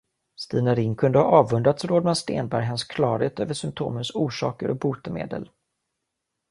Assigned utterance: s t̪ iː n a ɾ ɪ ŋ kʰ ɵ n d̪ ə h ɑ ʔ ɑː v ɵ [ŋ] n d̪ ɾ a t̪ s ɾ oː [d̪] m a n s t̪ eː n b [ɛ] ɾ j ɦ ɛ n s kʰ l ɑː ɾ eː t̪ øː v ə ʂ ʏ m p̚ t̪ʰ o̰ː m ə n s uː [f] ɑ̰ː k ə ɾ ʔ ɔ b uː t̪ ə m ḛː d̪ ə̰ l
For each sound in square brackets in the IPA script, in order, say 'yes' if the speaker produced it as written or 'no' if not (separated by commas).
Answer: no, yes, no, no